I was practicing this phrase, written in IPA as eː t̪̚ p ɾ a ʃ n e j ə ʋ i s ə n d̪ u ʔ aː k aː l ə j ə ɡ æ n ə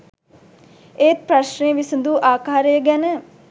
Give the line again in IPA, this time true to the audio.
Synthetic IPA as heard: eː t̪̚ p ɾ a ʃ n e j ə ʋ i s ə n d̪ u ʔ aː k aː ɾ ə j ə ɡ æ n ə